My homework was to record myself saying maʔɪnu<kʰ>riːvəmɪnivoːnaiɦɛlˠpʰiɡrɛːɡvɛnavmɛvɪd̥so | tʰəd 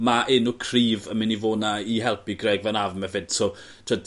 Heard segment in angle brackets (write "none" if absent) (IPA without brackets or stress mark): kʰ